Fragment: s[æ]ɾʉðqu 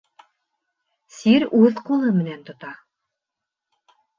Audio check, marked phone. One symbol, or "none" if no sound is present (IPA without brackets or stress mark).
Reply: i